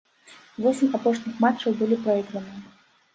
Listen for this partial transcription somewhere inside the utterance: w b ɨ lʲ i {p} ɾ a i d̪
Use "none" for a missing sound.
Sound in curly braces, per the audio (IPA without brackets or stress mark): p